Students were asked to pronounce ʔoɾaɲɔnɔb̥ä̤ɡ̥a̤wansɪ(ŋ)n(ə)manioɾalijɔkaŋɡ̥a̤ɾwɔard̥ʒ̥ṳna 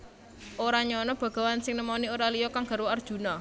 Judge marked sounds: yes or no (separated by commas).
yes, yes